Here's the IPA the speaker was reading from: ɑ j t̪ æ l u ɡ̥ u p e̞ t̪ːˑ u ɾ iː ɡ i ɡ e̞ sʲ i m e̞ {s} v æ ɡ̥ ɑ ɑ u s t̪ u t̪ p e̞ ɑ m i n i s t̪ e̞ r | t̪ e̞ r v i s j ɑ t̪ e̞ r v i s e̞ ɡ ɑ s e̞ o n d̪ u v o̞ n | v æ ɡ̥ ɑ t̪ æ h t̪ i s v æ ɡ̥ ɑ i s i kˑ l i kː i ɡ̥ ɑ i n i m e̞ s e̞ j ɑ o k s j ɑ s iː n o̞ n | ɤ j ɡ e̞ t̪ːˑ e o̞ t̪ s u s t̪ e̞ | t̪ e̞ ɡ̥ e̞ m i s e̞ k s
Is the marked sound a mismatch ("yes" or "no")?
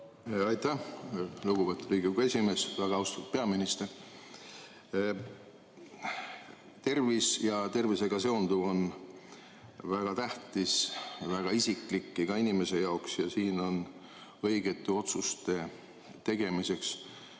no